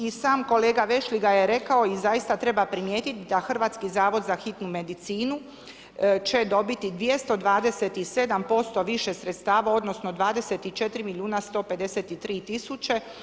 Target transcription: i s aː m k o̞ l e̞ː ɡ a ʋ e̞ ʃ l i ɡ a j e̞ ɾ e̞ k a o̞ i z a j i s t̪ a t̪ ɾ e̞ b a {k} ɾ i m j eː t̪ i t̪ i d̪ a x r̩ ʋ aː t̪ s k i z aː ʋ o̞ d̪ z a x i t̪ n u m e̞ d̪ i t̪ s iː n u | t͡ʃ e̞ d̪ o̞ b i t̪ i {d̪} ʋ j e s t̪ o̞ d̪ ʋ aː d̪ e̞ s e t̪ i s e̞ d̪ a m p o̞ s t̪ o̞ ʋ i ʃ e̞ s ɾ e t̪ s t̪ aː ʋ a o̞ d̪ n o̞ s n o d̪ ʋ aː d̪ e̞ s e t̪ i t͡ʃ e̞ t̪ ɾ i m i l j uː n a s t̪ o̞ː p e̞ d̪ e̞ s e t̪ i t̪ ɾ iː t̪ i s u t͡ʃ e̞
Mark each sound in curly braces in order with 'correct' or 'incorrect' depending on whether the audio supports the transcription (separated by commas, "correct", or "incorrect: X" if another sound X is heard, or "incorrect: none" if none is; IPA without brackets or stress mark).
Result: incorrect: p, correct